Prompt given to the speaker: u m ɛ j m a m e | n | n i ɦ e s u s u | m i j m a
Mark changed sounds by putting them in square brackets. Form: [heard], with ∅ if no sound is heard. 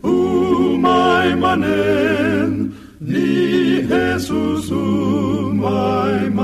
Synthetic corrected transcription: u m [a] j m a [n] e | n | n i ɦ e s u s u | m [a] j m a